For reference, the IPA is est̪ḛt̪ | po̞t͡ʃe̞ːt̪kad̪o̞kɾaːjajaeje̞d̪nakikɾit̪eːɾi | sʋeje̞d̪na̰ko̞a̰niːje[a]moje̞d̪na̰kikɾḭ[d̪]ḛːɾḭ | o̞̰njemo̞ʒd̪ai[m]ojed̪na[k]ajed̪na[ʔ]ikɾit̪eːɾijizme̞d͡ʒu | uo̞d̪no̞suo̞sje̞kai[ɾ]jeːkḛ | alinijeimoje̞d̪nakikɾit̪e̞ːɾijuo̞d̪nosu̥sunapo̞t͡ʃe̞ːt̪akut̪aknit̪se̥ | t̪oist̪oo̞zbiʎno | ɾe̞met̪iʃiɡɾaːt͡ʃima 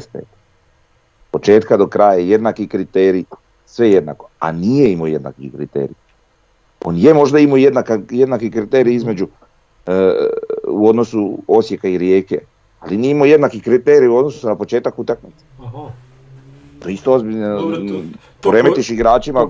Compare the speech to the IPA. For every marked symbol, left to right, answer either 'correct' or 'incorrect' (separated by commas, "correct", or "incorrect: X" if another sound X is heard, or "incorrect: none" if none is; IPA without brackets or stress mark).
incorrect: i, incorrect: t̪, correct, correct, incorrect: k, correct